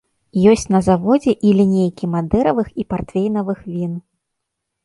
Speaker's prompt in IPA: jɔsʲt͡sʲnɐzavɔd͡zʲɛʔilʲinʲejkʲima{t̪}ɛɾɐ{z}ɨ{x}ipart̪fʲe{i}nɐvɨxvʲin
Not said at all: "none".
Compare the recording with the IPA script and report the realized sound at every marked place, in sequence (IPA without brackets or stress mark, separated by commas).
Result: d̪, v, x, j